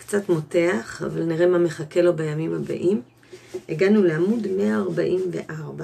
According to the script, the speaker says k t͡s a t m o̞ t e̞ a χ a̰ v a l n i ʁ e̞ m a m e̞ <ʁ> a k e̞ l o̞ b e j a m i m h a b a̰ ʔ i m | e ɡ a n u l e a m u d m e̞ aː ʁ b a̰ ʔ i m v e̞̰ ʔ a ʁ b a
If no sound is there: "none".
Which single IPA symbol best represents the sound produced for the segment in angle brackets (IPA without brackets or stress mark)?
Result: χ